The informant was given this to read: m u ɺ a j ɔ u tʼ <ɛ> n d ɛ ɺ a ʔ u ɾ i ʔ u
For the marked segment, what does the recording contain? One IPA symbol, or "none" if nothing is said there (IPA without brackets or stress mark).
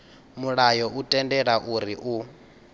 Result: ɛ